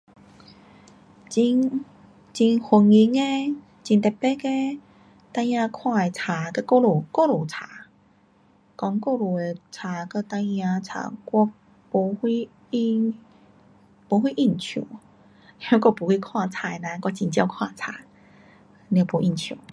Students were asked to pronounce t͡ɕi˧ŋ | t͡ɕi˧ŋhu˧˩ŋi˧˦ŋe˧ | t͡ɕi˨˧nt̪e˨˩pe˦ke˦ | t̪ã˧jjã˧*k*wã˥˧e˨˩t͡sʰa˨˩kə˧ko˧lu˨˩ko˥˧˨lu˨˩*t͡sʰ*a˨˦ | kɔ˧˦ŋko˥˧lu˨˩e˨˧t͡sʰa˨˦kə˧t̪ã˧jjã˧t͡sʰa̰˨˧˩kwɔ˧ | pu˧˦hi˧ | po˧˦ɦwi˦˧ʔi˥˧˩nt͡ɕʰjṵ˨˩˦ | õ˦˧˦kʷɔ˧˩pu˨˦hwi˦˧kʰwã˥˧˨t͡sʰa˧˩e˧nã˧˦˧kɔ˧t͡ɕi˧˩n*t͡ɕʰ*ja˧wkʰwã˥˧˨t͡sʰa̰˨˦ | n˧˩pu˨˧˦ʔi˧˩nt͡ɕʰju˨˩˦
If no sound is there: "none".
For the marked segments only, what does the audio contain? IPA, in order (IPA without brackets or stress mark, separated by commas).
kʰ, t͡sʰ, t͡ɕ